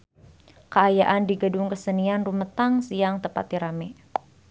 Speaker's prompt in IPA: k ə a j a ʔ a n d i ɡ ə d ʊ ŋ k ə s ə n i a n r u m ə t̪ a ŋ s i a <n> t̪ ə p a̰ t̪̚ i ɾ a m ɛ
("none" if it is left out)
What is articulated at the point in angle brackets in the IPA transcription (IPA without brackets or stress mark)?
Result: ŋ